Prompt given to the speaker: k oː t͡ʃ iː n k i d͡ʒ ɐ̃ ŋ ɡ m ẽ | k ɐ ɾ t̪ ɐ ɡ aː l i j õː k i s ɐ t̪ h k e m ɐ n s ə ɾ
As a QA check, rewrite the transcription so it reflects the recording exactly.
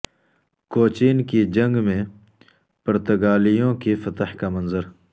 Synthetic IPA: k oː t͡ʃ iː n k i d͡ʒ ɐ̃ ŋ ɡ m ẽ | p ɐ ɾ t̪ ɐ ɡ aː l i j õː k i f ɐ t̪ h k a m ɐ n z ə ɾ